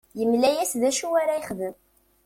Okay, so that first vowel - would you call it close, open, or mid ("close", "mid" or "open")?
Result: mid